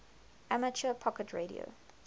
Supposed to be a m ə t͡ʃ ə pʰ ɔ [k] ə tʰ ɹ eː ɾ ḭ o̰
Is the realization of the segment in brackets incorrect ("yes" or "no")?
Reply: no